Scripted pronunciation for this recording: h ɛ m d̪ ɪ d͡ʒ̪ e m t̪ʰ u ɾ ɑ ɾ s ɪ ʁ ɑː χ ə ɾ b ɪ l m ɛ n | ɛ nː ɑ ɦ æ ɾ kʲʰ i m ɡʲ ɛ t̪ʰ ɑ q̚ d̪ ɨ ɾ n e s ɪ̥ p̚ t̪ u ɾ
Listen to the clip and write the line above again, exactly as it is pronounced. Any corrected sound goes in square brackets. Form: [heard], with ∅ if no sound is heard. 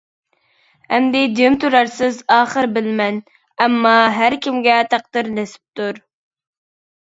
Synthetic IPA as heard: h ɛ m d̪ ɪ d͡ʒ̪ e m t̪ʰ u ɾ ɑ ɾ s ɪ [z] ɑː χ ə ɾ b ɪ l m ɛ n | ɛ [mː] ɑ ɦ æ ɾ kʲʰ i m ɡʲ ɛ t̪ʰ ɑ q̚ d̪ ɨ ɾ n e s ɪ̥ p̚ t̪ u ɾ